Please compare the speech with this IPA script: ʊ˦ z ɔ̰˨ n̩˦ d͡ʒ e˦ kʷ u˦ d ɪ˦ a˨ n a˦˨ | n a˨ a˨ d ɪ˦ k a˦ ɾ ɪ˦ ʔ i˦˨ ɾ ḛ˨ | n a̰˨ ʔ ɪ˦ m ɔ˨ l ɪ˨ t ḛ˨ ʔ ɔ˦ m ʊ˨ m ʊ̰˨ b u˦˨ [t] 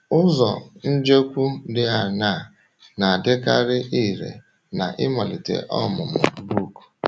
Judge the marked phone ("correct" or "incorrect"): incorrect